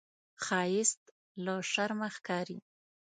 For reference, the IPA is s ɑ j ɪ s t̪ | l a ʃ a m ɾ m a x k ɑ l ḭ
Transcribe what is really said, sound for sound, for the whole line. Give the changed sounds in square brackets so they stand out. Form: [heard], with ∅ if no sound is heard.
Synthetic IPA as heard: [x] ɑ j ɪ s t̪ | l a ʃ a [∅] ɾ m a x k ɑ [ɾ] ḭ